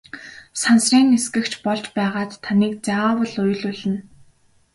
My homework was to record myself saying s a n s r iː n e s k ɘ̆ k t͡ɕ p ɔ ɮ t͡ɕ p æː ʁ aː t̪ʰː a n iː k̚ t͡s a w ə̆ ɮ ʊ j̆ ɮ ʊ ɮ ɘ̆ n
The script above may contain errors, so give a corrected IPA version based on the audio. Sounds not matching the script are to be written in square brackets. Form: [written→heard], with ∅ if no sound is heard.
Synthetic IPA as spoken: s a n s r iː n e s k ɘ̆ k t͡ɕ p ɔ ɮ t͡ɕ p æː ʁ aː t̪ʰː a n iː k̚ t͡s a w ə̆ ɮ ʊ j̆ ɮ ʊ ɮ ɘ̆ n